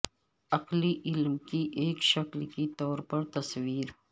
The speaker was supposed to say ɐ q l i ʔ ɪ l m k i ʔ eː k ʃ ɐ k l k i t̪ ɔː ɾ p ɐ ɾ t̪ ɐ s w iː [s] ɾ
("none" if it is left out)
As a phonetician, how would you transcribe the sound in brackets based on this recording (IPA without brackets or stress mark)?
none